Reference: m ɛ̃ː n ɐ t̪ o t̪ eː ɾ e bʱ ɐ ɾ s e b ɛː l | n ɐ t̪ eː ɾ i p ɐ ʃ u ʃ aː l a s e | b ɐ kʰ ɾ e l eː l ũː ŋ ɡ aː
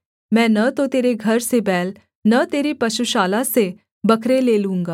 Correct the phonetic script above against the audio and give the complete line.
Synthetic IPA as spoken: m ɛ̃ː n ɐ t̪ o t̪ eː ɾ e ɡʱ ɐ ɾ s e b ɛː l | n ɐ t̪ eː ɾ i p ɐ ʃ u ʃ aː l a s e | b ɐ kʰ ɾ e l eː l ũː ŋ ɡ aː